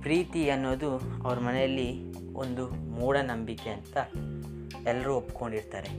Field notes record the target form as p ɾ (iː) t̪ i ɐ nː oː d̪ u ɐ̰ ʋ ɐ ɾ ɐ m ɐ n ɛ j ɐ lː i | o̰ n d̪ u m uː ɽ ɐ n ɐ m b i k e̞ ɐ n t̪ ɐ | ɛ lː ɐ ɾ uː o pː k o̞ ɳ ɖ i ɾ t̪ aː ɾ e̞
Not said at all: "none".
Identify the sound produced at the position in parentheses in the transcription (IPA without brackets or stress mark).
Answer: iː